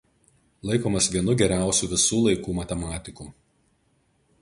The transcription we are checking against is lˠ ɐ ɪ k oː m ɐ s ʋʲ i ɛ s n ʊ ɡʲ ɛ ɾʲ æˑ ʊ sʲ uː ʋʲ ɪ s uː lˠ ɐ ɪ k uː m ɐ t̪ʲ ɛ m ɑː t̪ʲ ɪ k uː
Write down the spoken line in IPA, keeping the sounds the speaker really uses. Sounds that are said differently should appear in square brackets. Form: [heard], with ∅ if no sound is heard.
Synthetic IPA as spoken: lˠ ɐ ɪ k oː m ɐ s ʋʲ i ɛ [∅] n ʊ ɡʲ ɛ ɾʲ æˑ ʊ sʲ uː ʋʲ ɪ s uː lˠ ɐ ɪ k uː m ɐ t̪ʲ ɛ m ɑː t̪ʲ ɪ k uː